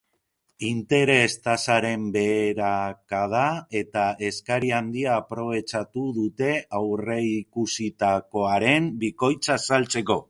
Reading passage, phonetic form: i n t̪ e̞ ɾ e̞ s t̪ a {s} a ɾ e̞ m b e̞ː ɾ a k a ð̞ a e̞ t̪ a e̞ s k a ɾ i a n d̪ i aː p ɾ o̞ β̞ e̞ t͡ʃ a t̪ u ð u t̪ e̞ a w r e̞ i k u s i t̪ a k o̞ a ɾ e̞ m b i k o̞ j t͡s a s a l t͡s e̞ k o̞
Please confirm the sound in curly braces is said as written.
yes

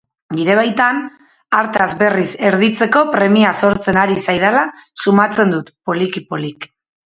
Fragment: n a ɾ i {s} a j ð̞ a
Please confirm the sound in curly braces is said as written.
yes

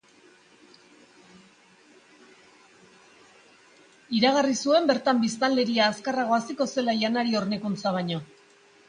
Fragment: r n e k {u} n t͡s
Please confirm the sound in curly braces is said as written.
yes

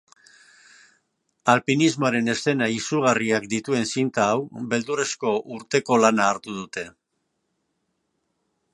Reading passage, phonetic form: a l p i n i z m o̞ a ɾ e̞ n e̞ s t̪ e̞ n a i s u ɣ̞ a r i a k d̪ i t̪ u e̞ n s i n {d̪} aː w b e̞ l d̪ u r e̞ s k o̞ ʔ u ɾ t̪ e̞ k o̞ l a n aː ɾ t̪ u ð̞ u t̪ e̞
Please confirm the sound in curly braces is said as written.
no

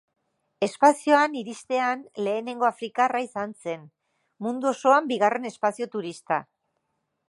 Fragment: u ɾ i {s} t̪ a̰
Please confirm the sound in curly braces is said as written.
yes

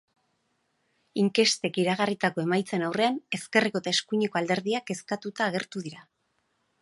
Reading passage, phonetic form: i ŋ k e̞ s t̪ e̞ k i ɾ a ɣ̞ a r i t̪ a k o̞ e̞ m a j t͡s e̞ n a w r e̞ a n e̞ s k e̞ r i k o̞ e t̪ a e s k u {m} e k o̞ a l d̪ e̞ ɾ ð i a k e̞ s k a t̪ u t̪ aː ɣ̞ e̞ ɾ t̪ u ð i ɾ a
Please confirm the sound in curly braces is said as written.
no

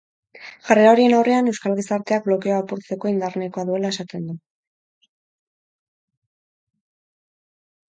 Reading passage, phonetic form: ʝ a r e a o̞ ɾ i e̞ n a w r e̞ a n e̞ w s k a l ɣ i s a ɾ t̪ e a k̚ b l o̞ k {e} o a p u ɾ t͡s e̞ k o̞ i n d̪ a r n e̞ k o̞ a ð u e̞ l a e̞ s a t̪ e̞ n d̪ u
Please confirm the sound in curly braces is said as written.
yes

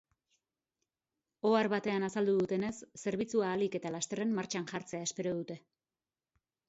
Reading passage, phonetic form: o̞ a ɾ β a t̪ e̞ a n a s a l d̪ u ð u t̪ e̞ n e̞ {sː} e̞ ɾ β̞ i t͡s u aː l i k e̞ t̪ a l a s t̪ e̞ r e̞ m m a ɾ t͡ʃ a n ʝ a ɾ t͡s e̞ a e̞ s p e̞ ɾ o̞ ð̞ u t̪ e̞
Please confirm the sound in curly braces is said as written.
yes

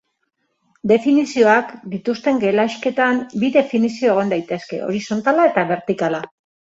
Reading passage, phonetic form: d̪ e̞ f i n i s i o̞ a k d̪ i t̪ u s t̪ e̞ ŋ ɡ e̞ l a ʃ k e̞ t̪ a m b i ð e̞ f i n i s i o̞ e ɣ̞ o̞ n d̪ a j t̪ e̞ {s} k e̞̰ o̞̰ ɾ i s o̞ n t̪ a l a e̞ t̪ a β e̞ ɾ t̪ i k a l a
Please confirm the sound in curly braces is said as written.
yes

